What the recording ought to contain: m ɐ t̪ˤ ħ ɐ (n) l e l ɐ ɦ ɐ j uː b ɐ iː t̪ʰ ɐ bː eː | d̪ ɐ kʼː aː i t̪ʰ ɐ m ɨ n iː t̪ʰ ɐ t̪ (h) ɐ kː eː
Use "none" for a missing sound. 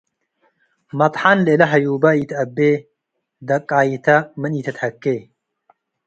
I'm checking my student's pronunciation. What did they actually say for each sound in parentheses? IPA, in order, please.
n, h

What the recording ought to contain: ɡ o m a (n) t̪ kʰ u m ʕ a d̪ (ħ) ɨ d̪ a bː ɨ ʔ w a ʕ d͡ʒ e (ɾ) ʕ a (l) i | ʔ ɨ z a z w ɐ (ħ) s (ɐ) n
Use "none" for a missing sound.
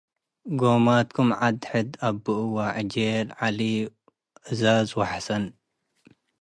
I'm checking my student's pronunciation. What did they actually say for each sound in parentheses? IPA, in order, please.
none, ħ, l, l, ħ, ɐ

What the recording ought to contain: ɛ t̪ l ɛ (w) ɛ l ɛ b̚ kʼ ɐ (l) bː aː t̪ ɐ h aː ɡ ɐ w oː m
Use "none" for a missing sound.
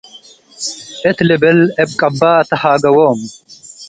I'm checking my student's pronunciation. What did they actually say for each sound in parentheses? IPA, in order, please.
b, none

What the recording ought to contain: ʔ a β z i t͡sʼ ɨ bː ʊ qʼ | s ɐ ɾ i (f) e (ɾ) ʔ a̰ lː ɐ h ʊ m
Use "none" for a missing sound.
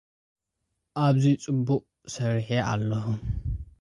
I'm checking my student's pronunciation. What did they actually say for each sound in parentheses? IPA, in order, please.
ħ, none

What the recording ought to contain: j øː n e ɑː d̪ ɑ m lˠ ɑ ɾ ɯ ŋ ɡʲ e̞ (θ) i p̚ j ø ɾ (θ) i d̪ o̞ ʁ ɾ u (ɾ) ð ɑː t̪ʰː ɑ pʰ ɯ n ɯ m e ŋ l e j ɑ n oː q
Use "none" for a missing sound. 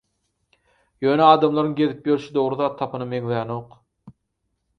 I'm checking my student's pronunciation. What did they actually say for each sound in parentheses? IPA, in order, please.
ð, ʃ, none

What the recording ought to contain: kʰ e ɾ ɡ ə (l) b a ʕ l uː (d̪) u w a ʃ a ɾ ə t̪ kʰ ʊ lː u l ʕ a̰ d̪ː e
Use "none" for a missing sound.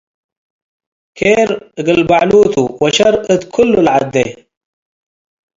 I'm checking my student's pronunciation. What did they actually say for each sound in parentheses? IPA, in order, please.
l, t̪

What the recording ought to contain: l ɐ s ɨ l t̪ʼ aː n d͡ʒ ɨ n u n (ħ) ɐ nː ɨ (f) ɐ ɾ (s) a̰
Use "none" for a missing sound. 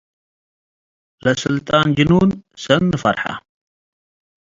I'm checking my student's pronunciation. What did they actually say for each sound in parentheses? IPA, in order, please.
s, f, ħ

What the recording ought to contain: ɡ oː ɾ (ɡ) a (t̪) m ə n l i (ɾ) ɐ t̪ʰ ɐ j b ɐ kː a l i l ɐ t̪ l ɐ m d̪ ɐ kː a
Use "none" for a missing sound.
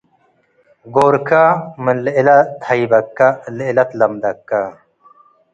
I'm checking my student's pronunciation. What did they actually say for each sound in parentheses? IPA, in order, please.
k, none, l

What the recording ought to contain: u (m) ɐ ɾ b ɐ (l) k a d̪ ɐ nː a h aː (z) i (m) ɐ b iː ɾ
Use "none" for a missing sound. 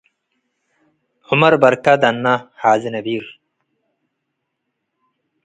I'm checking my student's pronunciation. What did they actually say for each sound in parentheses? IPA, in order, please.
m, ɾ, z, n

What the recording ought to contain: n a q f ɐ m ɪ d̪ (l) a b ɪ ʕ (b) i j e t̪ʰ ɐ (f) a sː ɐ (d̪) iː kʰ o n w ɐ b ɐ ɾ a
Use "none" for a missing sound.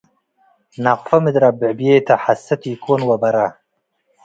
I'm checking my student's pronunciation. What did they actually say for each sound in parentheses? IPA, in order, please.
ɾ, b, ħ, t̪

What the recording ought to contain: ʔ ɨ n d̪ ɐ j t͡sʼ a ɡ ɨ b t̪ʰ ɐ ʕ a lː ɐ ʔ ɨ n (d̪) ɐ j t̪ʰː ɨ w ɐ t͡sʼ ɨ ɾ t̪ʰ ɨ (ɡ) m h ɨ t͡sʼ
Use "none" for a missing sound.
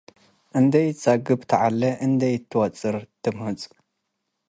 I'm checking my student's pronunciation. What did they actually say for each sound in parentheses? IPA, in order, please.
d̪, none

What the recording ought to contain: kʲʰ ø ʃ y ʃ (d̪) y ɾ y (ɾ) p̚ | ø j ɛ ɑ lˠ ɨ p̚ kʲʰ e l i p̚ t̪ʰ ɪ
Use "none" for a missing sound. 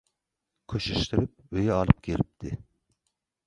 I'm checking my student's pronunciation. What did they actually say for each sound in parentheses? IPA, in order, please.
t̪, none

